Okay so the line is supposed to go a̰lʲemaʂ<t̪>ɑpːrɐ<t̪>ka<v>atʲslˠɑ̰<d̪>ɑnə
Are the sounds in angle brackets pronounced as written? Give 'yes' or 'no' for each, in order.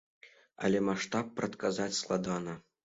yes, yes, no, yes

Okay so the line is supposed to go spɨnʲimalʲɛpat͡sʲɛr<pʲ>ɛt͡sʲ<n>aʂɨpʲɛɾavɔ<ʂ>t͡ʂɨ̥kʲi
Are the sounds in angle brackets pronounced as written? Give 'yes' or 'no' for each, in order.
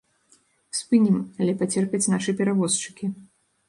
yes, yes, no

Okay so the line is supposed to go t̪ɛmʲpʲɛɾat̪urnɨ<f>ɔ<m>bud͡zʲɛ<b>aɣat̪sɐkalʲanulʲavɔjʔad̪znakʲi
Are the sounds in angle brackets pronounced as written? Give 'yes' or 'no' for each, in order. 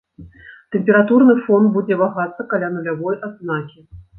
yes, no, no

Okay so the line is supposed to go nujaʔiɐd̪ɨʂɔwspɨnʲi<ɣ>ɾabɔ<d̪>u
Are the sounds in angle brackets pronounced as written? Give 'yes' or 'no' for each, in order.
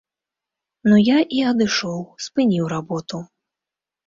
no, no

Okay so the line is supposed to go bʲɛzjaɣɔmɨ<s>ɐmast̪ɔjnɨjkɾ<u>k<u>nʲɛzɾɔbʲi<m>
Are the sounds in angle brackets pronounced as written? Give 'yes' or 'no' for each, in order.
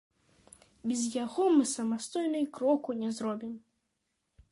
yes, no, yes, yes

